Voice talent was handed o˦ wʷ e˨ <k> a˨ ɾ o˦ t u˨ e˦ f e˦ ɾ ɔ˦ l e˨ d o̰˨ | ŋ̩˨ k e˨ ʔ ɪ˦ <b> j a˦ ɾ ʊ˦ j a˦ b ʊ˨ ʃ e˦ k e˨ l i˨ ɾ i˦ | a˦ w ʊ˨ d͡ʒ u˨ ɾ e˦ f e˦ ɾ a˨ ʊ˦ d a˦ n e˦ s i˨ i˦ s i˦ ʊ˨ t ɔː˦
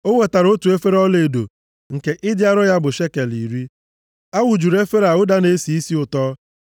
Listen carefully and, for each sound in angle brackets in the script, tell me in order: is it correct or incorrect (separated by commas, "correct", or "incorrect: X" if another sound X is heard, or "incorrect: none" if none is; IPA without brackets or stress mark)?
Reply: incorrect: t, incorrect: d